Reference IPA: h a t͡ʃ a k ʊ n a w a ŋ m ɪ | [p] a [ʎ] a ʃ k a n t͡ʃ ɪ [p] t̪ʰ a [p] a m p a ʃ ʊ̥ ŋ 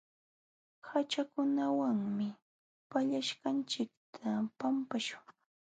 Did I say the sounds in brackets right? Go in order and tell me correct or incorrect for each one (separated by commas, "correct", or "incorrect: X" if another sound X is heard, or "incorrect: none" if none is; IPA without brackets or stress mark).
correct, correct, incorrect: k, correct